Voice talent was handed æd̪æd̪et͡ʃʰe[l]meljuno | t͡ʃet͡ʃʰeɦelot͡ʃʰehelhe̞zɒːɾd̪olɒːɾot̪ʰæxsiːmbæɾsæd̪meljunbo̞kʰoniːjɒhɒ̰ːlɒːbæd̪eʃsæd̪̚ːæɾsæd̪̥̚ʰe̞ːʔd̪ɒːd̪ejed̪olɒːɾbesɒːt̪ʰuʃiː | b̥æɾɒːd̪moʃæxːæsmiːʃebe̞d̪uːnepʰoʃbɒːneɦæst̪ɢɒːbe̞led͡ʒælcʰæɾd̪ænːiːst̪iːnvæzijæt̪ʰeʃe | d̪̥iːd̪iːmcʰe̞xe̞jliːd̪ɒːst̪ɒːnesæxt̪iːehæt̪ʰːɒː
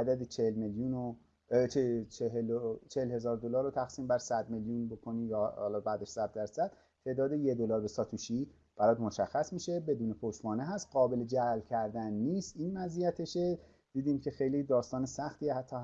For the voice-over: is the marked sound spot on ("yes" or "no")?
yes